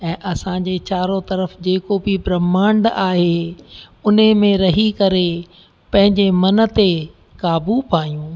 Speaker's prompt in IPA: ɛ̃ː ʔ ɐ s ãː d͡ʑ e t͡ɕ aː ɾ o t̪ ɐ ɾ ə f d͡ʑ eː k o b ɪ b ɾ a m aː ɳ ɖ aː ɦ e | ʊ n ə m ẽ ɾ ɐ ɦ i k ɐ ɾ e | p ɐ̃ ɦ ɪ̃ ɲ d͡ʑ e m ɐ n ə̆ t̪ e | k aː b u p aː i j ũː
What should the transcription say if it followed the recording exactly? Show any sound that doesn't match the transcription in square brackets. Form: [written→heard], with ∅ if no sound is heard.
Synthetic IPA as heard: ɛ̃ː ʔ ɐ s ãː d͡ʑ e t͡ɕ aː ɾ o t̪ ɐ ɾ ə f d͡ʑ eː k o b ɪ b ɾ [a→ɐ] m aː ɳ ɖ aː ɦ e | ʊ n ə m ẽ ɾ ɐ ɦ i k ɐ ɾ e | p ɐ̃ ɦ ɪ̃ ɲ d͡ʑ e m ɐ n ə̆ t̪ e | k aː b u p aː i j ũː